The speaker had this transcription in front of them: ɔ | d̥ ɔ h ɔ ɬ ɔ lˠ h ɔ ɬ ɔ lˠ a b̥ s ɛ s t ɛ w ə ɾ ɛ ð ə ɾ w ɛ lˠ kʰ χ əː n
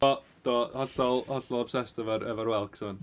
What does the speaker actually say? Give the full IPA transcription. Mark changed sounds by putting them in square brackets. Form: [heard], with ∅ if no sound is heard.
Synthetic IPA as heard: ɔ | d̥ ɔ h ɔ ɬ ɔ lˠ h ɔ ɬ ɔ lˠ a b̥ s ɛ s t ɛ [v] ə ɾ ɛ [v] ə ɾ w ɛ lˠ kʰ [s] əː n